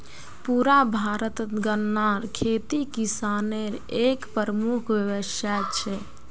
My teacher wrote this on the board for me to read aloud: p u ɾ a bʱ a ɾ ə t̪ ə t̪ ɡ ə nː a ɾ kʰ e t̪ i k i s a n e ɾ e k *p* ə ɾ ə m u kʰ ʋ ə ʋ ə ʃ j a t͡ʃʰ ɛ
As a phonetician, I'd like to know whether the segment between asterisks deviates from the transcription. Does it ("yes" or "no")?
no